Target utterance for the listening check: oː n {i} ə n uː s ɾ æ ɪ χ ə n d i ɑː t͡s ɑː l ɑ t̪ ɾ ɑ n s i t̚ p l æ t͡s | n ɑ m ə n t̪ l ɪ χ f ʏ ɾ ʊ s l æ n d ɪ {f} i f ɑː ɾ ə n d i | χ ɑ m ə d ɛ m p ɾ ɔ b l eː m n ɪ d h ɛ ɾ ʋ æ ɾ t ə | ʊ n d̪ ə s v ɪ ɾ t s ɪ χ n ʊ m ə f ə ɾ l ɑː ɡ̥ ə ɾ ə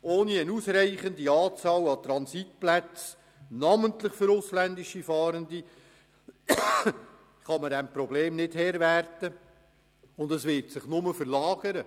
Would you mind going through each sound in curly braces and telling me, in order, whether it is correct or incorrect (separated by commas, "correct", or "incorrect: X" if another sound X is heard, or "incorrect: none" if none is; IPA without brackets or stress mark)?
correct, incorrect: ʃ